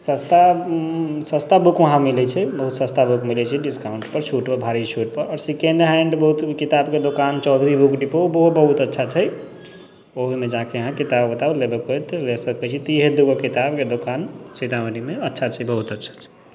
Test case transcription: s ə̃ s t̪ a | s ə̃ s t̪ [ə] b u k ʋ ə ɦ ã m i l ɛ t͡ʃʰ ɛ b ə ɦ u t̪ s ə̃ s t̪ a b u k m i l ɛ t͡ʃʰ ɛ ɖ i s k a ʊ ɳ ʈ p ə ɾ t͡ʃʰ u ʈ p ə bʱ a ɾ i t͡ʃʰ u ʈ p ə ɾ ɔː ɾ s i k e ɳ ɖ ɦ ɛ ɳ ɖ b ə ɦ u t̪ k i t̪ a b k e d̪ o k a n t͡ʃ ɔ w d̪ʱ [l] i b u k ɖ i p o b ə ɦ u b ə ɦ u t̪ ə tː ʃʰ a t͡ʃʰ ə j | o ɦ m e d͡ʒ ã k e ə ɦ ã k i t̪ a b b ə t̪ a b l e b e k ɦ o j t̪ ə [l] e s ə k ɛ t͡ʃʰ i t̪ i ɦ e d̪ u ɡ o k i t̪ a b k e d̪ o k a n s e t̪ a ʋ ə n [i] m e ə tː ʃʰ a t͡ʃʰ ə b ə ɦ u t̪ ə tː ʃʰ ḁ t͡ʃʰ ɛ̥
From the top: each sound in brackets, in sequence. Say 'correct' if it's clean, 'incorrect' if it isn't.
incorrect: a, incorrect: ɾ, correct, correct

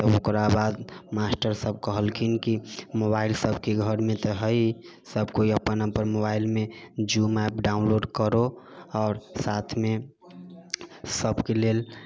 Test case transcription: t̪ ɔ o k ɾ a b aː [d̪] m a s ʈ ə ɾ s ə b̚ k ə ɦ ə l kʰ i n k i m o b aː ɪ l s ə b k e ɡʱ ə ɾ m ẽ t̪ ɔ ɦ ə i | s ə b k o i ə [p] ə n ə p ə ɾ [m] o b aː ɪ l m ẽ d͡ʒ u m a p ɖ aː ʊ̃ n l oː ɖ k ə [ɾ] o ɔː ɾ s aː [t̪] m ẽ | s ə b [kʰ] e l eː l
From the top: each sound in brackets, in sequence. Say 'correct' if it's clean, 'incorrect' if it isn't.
correct, correct, correct, correct, incorrect: t̪ʰ, incorrect: k

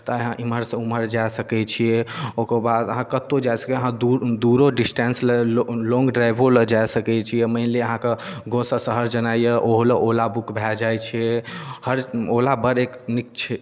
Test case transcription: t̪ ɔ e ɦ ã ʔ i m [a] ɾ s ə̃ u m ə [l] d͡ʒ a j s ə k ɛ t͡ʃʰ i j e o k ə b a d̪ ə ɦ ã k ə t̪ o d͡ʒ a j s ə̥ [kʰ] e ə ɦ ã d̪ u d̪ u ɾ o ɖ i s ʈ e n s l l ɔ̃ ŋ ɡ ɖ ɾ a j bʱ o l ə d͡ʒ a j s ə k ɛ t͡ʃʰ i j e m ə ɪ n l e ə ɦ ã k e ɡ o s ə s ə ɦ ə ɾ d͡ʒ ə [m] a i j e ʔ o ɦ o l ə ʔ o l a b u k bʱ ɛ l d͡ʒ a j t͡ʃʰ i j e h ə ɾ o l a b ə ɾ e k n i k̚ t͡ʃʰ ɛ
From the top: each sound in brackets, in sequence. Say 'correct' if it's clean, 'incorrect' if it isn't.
incorrect: ə, incorrect: ɾ, incorrect: k, incorrect: n

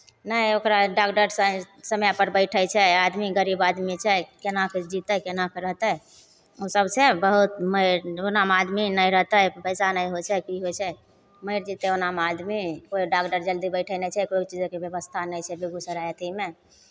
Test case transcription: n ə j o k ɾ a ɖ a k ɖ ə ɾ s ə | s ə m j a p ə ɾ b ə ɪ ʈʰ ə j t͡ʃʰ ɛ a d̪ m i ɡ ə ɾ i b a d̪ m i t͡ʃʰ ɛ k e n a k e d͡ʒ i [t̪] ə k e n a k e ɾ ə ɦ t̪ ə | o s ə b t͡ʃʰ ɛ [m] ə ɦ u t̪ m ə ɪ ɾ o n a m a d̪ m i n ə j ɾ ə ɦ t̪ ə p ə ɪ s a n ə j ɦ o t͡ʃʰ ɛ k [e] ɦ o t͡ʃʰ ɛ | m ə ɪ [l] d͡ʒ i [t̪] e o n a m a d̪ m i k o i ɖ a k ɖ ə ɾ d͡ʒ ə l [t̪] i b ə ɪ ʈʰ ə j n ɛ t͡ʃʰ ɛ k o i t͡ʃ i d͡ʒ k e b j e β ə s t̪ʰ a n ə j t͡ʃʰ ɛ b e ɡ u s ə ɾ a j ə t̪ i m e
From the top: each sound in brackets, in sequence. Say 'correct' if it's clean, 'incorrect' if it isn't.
correct, incorrect: b, incorrect: i, incorrect: ɾ, correct, incorrect: d̪

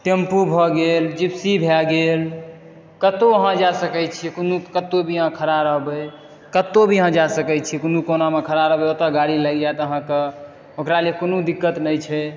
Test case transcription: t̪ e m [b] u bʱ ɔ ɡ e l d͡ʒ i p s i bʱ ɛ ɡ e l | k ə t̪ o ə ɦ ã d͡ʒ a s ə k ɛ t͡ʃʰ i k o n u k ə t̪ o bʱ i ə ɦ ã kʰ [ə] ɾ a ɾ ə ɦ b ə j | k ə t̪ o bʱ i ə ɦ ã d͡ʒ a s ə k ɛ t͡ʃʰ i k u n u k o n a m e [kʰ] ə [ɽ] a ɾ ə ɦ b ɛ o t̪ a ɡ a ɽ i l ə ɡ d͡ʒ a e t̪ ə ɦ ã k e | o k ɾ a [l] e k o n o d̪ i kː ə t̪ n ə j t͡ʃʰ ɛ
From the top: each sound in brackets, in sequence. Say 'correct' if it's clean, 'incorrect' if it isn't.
incorrect: p, correct, correct, incorrect: ɾ, correct

